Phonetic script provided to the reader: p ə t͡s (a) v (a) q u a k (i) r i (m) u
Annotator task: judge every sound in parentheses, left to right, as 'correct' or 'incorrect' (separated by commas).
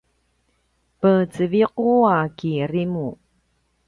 incorrect, incorrect, correct, correct